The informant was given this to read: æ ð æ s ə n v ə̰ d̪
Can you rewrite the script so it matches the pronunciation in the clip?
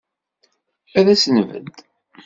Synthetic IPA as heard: æ ð æ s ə n v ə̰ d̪

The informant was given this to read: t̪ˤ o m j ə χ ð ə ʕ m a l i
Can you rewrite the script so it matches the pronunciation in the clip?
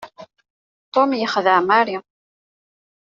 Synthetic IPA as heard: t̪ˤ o m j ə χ ð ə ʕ m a ɾ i

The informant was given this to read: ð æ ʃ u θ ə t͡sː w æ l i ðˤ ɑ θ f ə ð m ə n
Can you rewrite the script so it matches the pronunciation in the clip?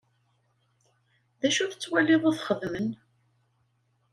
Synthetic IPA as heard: ð æ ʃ u θ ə t͡sː w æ l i ðˤ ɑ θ χ ə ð m ə n

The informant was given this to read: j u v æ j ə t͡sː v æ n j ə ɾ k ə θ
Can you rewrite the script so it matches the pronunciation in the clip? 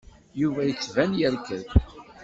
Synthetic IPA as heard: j u v æ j ə t͡sː v æ n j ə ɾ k ə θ

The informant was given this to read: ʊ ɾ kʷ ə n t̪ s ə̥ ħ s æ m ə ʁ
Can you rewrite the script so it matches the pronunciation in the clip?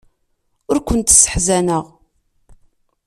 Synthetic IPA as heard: ʊ ɾ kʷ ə n t̪ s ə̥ ħ z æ n ə ʁ

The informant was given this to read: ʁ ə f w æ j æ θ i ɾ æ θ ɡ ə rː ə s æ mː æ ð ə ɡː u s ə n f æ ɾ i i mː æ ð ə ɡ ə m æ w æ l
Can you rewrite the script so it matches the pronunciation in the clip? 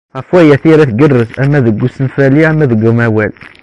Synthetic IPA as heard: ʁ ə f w æ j æ θ i ɾ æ θ ɡ ə rː ə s æ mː æ ð ə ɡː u s ə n f æ l i æ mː æ ð ə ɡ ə m æ w æ l

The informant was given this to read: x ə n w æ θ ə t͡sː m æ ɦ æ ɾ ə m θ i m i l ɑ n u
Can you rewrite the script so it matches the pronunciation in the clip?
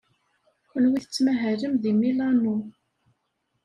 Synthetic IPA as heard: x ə n w i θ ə t͡sː m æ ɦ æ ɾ ə m ð i m i l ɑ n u

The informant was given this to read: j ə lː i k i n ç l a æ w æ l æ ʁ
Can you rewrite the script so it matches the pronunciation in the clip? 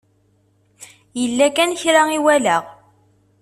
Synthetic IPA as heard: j ə lː æ k æ n ç ɾ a i w æ l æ ʁ

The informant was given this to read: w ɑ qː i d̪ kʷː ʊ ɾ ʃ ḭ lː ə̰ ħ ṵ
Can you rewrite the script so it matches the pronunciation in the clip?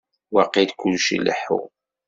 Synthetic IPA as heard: w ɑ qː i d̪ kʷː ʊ l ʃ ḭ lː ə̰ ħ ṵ

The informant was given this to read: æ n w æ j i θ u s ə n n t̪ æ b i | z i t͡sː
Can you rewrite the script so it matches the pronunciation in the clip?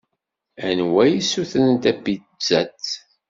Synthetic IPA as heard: æ n w æ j i s u θ ə n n t̪ æ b i | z æ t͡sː

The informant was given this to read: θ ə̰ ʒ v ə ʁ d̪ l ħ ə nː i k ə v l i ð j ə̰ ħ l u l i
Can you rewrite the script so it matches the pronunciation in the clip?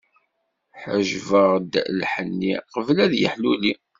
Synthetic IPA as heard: ħ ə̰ ʒ v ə ʁ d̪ l ħ ə nː i q ə v l æ ð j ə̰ ħ l u l i

